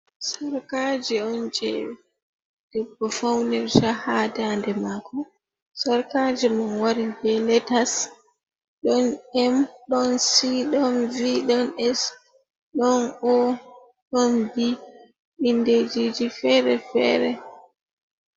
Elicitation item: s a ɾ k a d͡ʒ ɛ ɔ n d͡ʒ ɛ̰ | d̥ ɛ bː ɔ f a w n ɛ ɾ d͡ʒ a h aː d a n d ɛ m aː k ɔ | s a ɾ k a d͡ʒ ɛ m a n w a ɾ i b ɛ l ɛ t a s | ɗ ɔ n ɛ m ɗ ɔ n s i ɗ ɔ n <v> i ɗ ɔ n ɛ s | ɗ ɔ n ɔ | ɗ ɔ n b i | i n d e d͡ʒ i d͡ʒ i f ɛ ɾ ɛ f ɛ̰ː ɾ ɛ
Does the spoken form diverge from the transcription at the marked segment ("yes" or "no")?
no